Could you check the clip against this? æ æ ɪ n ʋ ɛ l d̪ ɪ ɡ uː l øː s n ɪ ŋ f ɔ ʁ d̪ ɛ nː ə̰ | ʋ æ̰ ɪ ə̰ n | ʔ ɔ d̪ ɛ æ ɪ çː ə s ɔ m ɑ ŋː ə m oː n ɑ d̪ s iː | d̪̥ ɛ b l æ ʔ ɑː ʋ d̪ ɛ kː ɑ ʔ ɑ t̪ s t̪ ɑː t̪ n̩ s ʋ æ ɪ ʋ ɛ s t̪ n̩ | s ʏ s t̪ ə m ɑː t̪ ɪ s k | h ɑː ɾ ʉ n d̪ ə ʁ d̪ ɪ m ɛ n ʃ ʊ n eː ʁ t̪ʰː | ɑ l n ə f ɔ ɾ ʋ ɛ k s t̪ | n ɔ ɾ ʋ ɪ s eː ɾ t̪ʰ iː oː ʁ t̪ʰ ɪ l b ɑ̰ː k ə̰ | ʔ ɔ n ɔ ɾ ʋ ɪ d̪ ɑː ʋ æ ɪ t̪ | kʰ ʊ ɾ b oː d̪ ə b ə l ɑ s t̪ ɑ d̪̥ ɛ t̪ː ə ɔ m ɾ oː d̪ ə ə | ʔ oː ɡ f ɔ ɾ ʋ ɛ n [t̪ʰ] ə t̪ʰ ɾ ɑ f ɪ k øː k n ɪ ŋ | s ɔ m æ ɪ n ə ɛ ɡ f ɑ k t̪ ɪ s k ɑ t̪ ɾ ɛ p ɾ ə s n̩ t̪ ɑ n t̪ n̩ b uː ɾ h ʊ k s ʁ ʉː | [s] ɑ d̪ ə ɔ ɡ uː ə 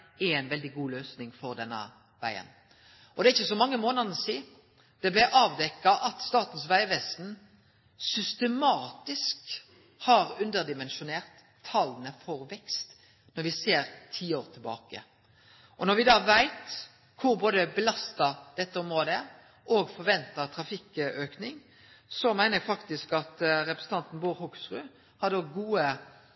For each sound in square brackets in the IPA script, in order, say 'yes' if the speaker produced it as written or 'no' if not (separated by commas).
no, no